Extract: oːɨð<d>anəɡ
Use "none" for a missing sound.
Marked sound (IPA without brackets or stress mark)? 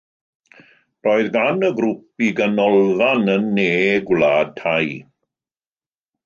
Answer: ɡ